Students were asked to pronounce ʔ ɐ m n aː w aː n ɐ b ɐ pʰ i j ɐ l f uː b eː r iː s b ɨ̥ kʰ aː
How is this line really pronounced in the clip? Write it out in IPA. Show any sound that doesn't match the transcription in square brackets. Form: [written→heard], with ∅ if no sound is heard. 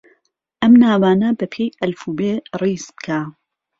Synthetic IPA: ʔ ɐ m n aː w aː n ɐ b ɐ pʰ [i→e] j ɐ l f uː b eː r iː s b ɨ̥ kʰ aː